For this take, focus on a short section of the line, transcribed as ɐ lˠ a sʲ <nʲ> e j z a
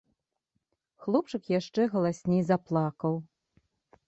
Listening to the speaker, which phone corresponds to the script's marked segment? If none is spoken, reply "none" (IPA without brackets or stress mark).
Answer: nʲ